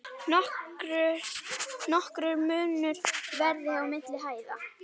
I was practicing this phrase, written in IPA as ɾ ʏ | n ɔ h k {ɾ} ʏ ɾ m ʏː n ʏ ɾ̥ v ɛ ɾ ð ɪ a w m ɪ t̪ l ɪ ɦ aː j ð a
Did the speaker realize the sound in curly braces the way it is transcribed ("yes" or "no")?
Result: yes